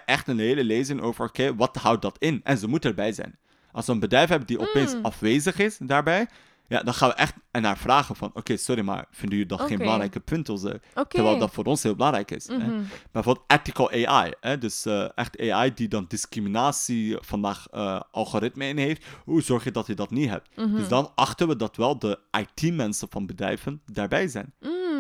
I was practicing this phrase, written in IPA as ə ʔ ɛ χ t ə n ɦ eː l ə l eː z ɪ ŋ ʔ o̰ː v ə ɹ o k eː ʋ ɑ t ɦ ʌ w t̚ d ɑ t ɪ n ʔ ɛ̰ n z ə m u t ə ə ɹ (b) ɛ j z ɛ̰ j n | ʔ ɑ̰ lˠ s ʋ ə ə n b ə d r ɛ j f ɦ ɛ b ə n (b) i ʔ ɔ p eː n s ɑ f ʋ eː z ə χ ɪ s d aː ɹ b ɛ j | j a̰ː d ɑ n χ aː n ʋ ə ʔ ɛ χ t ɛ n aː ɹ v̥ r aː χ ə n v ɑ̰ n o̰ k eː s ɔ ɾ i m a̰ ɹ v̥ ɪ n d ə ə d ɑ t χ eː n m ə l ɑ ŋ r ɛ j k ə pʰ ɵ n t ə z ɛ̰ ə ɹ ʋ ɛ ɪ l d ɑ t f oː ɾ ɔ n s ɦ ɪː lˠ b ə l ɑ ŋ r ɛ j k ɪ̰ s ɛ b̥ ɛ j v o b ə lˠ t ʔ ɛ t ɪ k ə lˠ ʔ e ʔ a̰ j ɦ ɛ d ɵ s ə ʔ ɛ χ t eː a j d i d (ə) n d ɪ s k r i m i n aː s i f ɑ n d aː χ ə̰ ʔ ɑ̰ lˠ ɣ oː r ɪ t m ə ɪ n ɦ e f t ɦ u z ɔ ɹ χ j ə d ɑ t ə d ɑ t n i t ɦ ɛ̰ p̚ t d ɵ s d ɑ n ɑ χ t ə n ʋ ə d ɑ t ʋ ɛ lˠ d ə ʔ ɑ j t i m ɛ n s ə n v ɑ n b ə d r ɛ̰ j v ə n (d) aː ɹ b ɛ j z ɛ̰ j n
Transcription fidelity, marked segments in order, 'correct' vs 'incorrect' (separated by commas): correct, incorrect, incorrect, correct